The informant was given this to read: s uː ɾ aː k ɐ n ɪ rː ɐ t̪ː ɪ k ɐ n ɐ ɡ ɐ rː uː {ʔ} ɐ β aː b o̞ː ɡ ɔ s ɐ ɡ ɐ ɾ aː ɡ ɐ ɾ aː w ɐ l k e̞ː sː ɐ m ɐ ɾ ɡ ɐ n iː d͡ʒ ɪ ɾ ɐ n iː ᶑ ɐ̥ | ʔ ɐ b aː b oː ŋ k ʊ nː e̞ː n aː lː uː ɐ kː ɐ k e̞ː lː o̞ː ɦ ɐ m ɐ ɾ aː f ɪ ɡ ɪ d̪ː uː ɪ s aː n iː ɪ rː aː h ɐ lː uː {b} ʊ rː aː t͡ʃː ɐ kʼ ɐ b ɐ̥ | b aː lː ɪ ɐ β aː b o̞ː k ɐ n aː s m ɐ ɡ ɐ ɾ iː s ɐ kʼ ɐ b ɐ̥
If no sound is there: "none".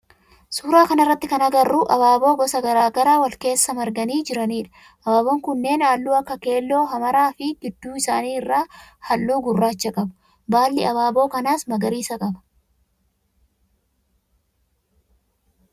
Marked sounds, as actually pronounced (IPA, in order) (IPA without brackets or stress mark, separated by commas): ʔ, ɡ